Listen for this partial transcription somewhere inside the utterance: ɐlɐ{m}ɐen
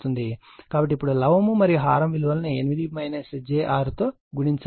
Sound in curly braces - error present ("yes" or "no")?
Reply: yes